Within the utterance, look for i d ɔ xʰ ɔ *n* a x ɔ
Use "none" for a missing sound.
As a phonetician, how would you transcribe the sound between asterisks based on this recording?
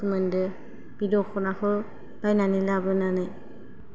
n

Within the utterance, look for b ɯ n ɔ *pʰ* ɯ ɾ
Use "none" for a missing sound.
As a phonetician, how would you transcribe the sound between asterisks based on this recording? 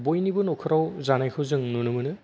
kʰ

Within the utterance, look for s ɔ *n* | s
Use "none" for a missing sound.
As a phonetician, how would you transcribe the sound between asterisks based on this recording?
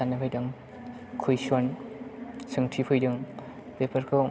n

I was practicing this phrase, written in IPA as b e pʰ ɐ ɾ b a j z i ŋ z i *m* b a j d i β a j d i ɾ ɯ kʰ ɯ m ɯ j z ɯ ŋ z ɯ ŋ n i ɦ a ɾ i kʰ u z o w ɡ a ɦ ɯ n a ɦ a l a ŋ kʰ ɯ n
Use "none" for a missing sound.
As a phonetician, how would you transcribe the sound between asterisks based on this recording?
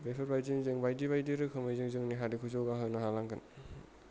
ŋ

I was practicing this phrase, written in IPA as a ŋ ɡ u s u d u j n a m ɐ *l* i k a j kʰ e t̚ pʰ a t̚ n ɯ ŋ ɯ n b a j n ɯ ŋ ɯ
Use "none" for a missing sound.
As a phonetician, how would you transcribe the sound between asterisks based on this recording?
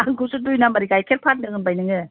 ɾ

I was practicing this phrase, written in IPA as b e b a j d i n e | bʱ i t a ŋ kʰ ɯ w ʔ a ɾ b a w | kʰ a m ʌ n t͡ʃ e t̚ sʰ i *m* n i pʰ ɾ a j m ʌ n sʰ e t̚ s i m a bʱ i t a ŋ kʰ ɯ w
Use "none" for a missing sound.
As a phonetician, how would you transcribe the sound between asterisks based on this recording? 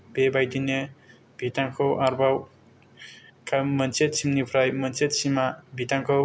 m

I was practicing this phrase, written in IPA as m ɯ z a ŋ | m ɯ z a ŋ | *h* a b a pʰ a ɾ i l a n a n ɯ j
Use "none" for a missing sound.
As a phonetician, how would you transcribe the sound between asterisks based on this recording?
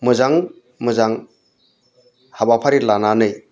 h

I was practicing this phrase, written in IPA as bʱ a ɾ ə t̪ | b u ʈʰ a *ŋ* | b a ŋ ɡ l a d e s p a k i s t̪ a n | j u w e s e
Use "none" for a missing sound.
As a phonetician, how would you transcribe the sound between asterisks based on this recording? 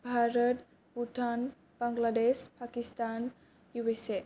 n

